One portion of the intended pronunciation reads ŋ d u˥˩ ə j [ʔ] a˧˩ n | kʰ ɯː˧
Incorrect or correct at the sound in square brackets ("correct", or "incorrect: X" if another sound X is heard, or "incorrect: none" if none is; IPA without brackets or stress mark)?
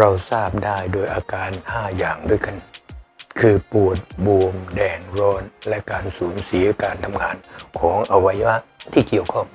incorrect: k